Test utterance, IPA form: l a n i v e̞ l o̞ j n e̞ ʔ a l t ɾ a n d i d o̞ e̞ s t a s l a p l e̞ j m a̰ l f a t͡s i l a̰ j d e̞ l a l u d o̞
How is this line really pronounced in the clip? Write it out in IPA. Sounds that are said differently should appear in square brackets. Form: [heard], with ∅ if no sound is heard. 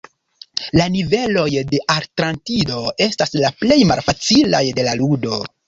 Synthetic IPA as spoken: l a n i v e̞ l o̞ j [d] e̞ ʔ a [ɾ] t ɾ a n [t] i d o̞ e̞ s t a s l a p l e̞ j m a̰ l f a t͡s i l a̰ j d e̞ l a l u d o̞